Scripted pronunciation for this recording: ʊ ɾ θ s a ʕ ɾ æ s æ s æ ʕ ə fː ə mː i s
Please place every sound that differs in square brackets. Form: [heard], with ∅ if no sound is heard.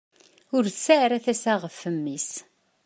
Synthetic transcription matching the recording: ʊ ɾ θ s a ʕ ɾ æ [θ] æ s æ [ʁ] ə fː ə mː i s